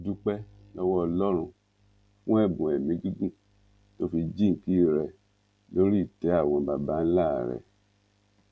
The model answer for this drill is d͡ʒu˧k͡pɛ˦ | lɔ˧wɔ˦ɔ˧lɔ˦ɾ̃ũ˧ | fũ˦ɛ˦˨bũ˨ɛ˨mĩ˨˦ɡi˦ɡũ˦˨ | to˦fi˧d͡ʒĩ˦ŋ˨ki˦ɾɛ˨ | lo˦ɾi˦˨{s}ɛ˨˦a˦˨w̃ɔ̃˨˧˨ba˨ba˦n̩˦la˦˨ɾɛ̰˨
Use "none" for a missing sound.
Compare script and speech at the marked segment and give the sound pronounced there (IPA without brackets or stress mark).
t